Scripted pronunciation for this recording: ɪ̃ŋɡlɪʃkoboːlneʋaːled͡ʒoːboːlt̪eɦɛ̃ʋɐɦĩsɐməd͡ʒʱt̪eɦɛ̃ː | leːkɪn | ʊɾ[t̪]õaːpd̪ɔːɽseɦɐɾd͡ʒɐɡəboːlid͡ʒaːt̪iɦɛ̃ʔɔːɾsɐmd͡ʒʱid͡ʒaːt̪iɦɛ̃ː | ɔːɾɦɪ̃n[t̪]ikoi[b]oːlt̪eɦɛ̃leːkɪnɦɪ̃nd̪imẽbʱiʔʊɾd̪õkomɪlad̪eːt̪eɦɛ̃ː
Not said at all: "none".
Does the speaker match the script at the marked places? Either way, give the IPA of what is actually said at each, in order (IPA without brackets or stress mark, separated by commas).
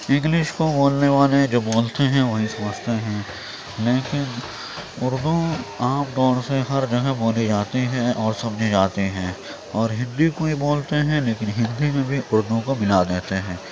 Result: d̪, d̪, b